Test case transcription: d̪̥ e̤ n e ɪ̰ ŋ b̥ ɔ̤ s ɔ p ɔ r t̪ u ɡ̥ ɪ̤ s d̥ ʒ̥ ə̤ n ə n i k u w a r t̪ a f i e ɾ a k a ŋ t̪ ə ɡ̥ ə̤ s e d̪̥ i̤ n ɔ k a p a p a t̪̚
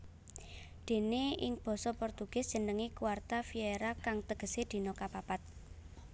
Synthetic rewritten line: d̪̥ e̤ n e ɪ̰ ŋ b̥ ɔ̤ s ɔ p ɔ r t̪ u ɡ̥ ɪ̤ s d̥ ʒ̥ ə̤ n ə ŋ i k u w a r t̪ a f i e ɾ a k a ŋ t̪ ə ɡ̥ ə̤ s e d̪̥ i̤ n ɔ k a p a p a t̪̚